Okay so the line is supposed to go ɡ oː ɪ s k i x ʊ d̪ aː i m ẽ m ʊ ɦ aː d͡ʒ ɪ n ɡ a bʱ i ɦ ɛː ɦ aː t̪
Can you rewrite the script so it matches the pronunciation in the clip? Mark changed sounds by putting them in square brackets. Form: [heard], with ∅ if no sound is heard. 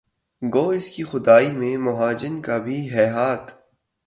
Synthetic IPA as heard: ɡ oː ɪ s k i x ʊ d̪ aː i m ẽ m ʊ ɦ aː d͡ʒ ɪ n [k] a bʱ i ɦ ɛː ɦ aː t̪